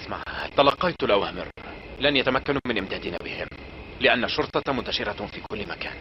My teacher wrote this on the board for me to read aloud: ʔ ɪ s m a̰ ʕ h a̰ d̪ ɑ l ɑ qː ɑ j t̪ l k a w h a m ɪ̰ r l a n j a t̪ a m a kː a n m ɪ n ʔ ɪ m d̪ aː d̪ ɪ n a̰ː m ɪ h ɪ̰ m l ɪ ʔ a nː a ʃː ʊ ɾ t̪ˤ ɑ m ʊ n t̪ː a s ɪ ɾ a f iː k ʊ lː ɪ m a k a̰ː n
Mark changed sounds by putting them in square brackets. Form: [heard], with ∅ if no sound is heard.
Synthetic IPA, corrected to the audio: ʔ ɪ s m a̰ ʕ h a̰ [t̪] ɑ l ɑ qː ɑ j t̪ l [ʔ] a w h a m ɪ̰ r l a n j a t̪ a m a kː a n m ɪ n ʔ ɪ m d̪ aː d̪ ɪ n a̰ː [b] ɪ h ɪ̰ m l ɪ ʔ a nː a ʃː ʊ ɾ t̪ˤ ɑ m ʊ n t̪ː a [ʃ] ɪ ɾ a f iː k ʊ lː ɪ m a k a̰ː n